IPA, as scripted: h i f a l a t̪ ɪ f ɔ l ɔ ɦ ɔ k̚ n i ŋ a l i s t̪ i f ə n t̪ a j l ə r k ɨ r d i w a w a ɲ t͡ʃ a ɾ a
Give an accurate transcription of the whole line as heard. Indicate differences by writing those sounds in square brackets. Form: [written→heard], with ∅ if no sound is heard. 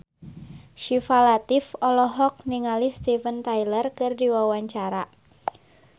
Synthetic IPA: [h→ʃ] i f a l a t̪ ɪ f ɔ l ɔ ɦ ɔ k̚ n i ŋ a l i s t̪ i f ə n t̪ a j l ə r k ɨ r d i w a w a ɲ t͡ʃ a ɾ a